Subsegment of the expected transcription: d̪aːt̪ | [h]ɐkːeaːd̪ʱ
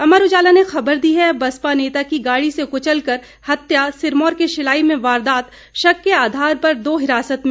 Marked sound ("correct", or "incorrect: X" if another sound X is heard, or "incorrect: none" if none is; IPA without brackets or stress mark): incorrect: ʃ